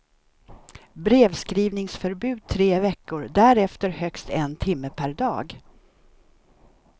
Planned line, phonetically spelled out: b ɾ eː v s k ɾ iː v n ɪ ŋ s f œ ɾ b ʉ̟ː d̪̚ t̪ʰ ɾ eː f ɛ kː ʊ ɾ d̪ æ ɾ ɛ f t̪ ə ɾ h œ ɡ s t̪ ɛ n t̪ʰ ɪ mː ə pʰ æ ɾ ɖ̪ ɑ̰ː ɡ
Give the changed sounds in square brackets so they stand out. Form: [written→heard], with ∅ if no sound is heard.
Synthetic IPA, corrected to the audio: b ɾ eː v s k ɾ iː v n ɪ ŋ s f œ ɾ b ʉ̟ː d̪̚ t̪ʰ ɾ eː [f→v] ɛ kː ʊ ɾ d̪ æ ɾ ɛ f t̪ ə ɾ h œ [ɡ→k] s t̪ ɛ n t̪ʰ ɪ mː ə pʰ æ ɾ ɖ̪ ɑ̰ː ɡ